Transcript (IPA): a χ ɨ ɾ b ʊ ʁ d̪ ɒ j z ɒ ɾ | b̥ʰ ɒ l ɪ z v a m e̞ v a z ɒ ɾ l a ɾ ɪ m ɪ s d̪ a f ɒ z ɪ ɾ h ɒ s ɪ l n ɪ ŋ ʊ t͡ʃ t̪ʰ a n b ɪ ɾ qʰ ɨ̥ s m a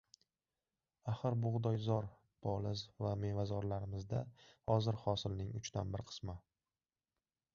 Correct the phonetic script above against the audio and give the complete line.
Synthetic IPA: a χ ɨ ɾ b ʊ ʁ d̪ ɒ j z ɒ ɾ | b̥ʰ ɒ l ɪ z v a m e̞ v a z ɒ ɾ l a ɾ ɪ m ɪ z d̪ a h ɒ z ɪ ɾ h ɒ s ɪ l n ɪ ŋ ʊ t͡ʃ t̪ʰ a n b ɪ ɾ qʰ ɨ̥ s m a